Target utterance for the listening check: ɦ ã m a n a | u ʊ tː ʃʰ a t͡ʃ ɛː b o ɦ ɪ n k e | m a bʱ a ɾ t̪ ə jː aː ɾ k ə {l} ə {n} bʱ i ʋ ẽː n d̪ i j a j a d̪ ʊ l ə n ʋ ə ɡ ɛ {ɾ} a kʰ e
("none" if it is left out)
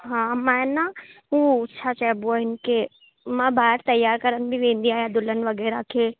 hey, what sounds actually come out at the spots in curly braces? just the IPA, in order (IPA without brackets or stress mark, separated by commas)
ɾ, n, ɾ